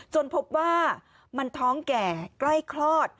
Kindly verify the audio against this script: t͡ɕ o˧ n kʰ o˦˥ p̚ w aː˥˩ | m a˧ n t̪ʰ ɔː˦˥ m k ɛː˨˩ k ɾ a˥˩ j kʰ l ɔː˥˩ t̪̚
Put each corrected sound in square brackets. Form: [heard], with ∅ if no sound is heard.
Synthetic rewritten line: t͡ɕ o˧ n [pʰ] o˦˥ p̚ w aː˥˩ | m a˧ n t̪ʰ ɔː˦˥ [ŋ] k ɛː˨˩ k [l] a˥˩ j kʰ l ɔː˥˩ t̪̚

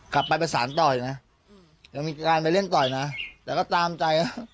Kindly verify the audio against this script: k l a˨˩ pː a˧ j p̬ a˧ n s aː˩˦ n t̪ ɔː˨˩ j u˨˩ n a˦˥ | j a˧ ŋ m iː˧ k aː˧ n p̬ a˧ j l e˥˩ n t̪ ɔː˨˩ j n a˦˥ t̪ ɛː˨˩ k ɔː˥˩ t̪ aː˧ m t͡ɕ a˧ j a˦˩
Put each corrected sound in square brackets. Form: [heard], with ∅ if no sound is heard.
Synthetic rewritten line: k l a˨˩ pː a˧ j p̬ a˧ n s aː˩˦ n t̪ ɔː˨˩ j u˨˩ n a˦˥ | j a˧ ŋ m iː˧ k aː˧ n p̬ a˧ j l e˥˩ n t̪ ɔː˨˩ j n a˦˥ t̪ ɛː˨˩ k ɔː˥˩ t̪ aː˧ m t͡ɕ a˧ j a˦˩

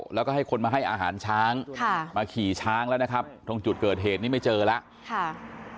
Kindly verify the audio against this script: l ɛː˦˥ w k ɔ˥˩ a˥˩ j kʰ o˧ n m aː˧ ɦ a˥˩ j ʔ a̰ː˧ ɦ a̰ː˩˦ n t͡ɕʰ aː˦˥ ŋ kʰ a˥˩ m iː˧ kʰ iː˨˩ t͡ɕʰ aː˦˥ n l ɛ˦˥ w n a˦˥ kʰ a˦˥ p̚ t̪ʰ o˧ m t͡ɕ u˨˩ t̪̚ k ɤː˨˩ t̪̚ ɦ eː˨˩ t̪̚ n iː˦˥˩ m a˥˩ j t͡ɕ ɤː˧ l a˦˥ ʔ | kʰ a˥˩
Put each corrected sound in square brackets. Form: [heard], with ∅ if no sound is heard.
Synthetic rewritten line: l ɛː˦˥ w k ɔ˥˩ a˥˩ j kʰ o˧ n m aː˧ ɦ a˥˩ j ʔ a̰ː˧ ɦ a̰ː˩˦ n t͡ɕʰ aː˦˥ ŋ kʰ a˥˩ m [aː˧] kʰ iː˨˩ t͡ɕʰ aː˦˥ [ŋ] l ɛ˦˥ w n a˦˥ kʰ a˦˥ p̚ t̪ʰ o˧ [ŋ] t͡ɕ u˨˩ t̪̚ k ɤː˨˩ t̪̚ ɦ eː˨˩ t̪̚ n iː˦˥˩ m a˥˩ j t͡ɕ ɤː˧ l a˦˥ ʔ | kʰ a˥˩

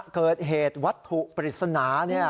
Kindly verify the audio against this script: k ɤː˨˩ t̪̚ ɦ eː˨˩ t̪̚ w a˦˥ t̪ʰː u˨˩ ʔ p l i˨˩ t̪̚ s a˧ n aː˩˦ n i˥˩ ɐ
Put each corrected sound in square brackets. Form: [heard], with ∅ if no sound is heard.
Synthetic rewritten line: k ɤː˨˩ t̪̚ ɦ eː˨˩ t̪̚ w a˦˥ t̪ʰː u˨˩ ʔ p [ɾ] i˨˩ t̪̚ s a˧ n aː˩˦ n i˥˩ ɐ

